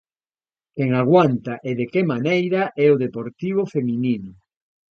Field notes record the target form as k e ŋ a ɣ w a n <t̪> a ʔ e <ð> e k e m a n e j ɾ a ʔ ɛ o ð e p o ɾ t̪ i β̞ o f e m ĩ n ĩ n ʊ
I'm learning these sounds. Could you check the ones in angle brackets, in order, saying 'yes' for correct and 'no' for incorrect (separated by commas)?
yes, yes